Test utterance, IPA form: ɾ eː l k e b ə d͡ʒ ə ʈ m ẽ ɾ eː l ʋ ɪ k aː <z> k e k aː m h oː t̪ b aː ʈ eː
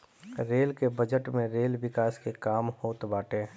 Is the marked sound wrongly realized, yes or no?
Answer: yes